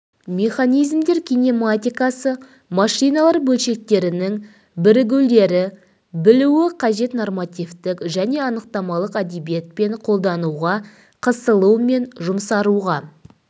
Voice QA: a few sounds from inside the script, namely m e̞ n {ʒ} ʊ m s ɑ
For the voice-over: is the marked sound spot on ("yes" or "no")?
yes